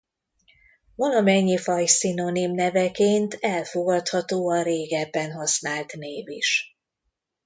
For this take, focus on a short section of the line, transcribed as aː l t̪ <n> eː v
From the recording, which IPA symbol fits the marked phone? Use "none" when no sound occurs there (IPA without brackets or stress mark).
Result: n